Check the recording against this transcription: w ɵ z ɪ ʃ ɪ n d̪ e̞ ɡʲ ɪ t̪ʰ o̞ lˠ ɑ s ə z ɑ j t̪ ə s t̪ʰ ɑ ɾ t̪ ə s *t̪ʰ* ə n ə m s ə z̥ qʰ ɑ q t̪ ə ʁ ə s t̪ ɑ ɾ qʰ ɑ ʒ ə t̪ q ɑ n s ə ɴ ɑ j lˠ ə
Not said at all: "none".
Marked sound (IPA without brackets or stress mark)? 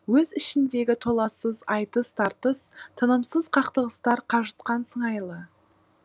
t̪ʰ